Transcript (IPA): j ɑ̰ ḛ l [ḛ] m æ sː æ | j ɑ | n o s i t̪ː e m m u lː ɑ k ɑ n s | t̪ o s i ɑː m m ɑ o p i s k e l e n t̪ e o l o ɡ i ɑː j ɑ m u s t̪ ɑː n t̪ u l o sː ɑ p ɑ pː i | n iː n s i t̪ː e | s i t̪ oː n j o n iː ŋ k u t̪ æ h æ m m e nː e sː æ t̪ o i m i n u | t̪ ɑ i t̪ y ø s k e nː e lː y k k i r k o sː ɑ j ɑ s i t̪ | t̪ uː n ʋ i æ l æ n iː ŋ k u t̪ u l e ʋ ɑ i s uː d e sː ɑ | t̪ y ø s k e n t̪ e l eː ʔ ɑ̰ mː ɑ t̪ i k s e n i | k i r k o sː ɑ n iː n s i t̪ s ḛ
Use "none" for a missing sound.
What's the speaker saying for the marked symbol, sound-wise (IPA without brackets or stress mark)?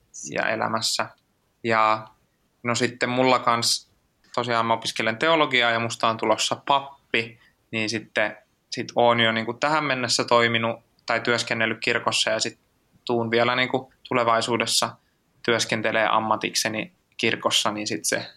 æ̰